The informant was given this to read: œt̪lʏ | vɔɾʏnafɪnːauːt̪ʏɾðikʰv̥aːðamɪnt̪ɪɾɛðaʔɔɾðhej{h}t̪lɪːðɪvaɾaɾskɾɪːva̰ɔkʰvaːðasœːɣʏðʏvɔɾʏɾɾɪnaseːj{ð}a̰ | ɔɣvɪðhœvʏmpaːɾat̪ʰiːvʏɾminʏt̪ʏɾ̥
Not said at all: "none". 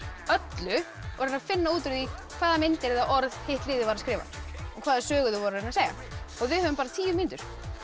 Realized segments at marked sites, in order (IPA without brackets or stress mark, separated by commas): h, ɣ